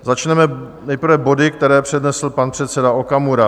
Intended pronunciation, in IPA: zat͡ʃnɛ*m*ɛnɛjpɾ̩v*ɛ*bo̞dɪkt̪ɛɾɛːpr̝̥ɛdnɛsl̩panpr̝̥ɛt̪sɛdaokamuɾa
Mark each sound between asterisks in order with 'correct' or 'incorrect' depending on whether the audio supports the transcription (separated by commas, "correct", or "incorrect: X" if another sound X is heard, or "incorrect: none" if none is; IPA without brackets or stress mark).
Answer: correct, correct